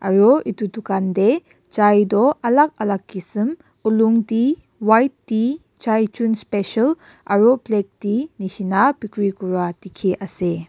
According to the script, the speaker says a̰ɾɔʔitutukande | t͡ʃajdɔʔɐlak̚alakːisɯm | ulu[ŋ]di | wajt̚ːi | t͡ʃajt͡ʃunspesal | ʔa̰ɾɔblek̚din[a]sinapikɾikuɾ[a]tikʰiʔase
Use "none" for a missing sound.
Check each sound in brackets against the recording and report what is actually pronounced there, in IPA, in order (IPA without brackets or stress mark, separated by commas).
ŋ, i, a